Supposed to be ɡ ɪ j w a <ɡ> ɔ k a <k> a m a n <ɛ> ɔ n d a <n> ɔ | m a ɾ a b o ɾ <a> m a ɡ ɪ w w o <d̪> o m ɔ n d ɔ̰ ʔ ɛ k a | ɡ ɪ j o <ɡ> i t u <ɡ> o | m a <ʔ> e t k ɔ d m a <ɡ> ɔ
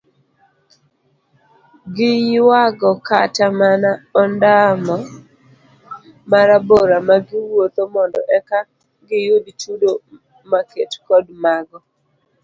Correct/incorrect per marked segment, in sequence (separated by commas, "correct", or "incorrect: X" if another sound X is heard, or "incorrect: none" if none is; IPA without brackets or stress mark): correct, incorrect: t, incorrect: a, incorrect: m, correct, incorrect: t̪, incorrect: d, incorrect: d, incorrect: k, correct